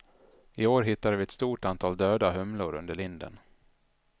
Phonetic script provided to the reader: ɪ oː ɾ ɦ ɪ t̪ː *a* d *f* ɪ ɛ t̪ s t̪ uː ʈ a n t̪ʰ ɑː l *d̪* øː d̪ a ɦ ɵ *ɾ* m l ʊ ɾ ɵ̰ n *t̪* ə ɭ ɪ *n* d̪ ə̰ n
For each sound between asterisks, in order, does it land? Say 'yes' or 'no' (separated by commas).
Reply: yes, no, yes, no, no, yes